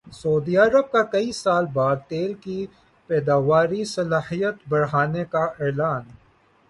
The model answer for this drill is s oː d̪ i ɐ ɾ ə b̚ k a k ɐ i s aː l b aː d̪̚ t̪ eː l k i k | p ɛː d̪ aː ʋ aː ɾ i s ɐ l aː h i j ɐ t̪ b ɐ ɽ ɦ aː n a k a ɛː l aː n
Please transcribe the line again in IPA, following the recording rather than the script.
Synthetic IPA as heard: s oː d̪ i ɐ ɾ ə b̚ k a k ɐ i s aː l b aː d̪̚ t̪ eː l k i | p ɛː d̪ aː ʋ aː ɾ i s ɐ l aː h i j ə t̪ b ɐ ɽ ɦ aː n e k a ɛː l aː n